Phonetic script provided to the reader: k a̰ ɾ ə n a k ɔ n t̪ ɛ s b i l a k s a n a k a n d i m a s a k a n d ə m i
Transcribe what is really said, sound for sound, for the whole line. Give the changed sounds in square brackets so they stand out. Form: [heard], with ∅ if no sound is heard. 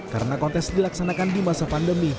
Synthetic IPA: k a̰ ɾ ə n a k ɔ n t̪ ɛ s [d] i l a k s a n a k a n d i m a s a [p] a n d ə m i